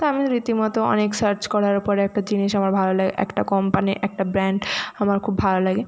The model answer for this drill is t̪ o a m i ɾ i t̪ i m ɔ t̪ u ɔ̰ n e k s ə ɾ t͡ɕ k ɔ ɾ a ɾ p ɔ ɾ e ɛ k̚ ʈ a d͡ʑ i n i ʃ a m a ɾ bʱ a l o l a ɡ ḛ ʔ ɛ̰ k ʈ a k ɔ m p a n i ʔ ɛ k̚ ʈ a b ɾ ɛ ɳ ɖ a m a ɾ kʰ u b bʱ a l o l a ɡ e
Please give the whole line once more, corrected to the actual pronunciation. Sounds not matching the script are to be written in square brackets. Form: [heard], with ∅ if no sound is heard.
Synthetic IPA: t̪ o a m i ɾ i t̪ i m ɔ t̪ [o] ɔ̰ n e k s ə ɾ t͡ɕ k ɔ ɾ a ɾ p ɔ ɾ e ɛ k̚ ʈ a d͡ʑ i n i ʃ a m a ɾ bʱ a l o l a ɡ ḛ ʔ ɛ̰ k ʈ a k ɔ m p a n i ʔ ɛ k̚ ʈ a b ɾ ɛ ɳ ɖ a m a ɾ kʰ u b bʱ a l o l a ɡ e